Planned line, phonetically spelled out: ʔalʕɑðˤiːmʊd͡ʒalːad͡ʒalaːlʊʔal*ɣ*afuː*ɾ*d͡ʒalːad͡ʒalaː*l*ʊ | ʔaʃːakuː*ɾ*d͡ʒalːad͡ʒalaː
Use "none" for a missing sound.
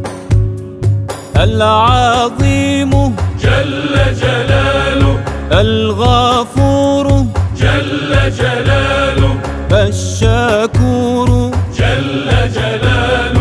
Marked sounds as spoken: ɣ, ɾ, l, ɾ

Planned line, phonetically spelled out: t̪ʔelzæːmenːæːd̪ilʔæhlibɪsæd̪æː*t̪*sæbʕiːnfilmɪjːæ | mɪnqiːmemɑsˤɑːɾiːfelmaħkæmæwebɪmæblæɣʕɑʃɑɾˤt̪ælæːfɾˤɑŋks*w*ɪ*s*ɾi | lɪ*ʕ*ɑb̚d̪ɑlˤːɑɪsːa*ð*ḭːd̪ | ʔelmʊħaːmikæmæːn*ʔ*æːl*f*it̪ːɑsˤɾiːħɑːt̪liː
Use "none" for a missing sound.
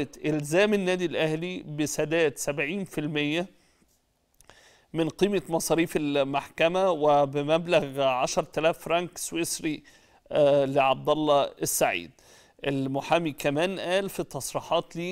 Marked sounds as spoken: t̪, w, s, ʕ, ʕ, ʔ, f

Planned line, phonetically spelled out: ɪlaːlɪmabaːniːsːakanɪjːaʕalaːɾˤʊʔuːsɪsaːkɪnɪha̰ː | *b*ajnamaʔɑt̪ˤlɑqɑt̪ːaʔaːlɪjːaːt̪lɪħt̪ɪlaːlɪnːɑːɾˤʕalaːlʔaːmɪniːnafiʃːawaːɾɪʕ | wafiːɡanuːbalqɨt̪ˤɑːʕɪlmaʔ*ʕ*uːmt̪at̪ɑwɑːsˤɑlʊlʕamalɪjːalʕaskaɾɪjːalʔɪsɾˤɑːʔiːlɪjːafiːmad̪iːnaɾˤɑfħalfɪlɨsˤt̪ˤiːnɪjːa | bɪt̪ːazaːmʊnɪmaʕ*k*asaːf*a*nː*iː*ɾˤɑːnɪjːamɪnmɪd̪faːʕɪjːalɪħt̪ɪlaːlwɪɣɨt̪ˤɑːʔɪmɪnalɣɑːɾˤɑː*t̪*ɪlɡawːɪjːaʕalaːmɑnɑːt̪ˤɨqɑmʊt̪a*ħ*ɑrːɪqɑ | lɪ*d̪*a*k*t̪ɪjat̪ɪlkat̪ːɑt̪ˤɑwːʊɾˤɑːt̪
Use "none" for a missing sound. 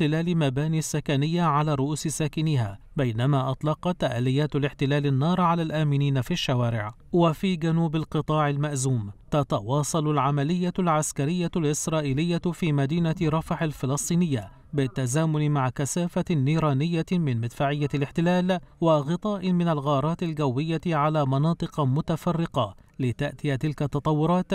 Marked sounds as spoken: b, z, k, a, iː, t̪, f, t̪, ʔ

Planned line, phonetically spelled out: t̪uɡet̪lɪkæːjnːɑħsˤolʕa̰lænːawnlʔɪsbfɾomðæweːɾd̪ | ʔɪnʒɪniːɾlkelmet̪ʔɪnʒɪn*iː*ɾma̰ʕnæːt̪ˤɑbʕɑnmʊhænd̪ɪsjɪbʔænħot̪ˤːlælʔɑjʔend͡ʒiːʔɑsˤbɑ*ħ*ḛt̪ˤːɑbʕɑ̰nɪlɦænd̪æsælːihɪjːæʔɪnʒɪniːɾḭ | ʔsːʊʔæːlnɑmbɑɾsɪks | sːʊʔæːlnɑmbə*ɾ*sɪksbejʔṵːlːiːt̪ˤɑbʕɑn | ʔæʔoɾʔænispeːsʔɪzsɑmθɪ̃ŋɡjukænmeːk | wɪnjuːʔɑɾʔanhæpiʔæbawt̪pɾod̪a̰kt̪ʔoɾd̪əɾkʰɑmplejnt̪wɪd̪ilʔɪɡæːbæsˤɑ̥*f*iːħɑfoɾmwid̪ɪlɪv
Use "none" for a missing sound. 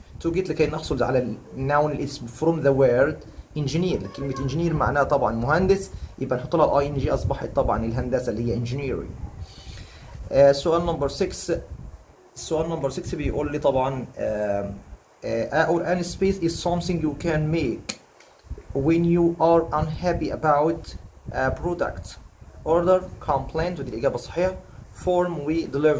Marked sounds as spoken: iː, ħ, ɾ, ħ

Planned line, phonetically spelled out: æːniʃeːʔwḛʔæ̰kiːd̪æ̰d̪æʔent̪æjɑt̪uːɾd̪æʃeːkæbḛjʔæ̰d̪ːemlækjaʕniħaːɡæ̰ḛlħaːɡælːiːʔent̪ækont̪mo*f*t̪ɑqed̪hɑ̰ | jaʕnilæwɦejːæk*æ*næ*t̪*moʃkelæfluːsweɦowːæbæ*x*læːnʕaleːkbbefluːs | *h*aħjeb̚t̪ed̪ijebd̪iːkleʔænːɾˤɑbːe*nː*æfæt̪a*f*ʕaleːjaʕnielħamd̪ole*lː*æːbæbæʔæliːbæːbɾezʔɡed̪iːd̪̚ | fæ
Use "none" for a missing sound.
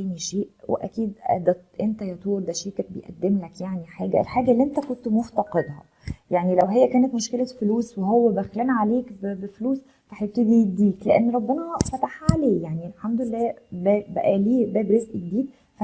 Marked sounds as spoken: f, æː, t̪, x, f, n, ħ, lː

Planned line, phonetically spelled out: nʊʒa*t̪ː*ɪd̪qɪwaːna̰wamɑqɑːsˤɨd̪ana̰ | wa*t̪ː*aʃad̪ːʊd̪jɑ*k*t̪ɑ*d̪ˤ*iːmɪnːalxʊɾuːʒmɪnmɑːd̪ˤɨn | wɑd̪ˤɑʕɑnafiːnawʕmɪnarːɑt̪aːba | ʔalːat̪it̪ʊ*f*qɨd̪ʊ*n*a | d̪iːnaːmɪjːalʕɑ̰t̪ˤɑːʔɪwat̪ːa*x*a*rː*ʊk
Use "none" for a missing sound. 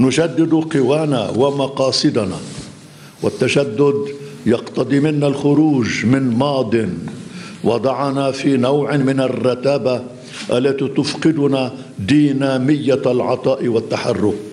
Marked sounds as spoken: d̪ː, t̪ː, q, d̪ˤ, f, n, ħ, rː

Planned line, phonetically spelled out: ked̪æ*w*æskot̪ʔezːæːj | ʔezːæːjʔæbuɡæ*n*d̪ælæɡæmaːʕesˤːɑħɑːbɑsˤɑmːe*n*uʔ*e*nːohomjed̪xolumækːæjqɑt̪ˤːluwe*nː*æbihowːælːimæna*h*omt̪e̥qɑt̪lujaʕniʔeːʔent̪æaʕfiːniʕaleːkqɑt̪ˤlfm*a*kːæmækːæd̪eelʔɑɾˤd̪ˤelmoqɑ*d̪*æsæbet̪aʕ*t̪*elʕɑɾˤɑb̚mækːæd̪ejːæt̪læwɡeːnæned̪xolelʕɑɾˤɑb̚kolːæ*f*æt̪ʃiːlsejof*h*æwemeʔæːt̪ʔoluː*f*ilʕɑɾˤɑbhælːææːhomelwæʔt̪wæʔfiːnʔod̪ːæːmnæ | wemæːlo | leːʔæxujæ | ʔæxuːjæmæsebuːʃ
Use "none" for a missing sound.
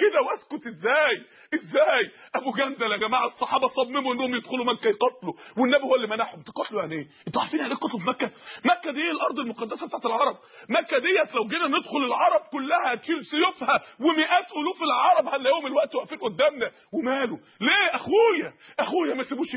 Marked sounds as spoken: w, n, m, e, nː, ħ, æ, d̪ː, t̪, h, h, f

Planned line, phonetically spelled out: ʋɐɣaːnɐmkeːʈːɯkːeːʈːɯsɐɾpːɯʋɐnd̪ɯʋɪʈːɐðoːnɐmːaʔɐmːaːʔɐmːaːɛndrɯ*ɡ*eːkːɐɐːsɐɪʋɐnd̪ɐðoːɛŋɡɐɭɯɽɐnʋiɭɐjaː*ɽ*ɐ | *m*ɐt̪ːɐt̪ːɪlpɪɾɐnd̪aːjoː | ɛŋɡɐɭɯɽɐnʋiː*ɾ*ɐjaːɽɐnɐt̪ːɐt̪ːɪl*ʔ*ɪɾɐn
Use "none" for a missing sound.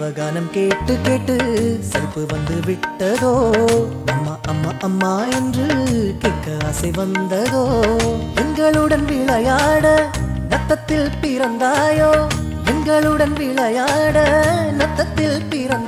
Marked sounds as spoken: k, ɽ, n, ɭ, p

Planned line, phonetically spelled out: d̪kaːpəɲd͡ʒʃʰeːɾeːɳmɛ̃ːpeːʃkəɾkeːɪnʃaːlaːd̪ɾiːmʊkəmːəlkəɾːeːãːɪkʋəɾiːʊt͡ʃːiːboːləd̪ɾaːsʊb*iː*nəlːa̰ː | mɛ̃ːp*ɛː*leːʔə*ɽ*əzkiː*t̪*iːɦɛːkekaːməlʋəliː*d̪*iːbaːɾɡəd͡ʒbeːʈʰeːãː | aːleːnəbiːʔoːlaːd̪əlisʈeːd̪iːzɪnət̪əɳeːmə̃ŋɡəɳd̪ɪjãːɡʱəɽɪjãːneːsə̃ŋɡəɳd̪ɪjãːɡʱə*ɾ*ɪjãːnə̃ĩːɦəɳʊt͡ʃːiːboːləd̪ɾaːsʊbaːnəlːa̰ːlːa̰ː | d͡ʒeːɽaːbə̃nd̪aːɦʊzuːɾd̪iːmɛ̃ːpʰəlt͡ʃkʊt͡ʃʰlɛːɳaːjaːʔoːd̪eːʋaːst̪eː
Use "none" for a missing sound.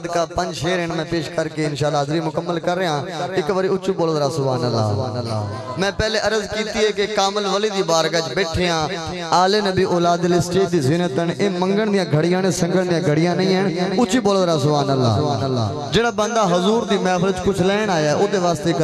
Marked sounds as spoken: aː, ɛː, ɾ, t̪, d̪, ɽ

